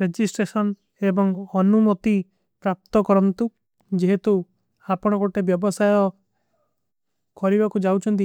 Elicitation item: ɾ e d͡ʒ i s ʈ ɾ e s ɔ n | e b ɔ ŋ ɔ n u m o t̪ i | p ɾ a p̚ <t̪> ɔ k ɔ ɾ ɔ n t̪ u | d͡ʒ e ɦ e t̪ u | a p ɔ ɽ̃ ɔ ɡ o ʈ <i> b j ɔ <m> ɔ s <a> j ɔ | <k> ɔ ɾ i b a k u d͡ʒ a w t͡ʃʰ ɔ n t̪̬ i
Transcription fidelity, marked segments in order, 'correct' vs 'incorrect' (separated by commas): correct, incorrect, incorrect, correct, correct